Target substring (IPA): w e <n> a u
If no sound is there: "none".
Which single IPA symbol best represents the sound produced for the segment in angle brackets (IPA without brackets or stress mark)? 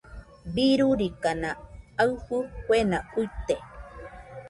n